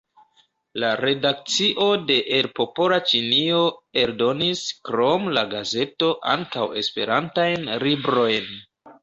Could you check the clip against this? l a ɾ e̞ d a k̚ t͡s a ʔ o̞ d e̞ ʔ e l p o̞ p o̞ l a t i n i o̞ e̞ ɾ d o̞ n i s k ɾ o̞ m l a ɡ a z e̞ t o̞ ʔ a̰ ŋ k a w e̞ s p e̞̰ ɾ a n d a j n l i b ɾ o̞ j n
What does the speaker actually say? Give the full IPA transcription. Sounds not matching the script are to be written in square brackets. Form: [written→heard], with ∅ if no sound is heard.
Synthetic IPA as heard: l a ɾ e̞ d a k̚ t͡s [a→i] ʔ o̞ d e̞ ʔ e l p o̞ p o̞ l a [t→t͡ʃ] i n i o̞ e̞ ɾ d o̞ n i s k ɾ o̞ m l a ɡ a z e̞ t o̞ ʔ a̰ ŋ k a w e̞ s p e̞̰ ɾ a n [d→t] a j n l i b ɾ o̞ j n